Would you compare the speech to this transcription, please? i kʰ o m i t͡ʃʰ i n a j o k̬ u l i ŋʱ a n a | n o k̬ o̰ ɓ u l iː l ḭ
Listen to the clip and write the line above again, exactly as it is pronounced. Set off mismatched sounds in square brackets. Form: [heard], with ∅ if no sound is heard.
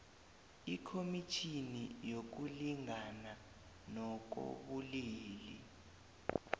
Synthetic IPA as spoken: i kʰ o m i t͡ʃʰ i n [i] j o k̬ u l i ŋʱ a n a | n [ɔ] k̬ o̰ ɓ u l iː l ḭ